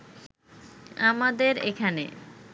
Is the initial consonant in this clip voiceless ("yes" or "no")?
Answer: no